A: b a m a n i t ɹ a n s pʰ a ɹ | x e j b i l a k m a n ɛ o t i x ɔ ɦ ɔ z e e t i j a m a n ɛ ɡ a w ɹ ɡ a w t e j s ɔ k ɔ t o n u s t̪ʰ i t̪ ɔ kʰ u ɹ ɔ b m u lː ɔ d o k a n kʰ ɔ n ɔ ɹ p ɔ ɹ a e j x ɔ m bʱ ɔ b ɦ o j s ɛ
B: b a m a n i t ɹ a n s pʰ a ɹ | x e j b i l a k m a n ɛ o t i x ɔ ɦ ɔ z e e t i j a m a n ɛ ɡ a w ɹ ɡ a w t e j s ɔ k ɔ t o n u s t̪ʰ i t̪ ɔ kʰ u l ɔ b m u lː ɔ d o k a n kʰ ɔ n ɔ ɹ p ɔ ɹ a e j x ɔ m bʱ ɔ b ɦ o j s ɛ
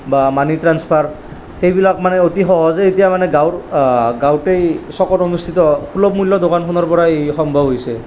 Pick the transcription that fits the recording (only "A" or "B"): B